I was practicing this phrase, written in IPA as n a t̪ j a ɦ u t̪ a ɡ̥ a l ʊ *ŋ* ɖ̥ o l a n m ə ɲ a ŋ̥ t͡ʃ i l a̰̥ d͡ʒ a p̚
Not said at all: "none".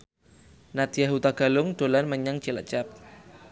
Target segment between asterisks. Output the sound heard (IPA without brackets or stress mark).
ŋ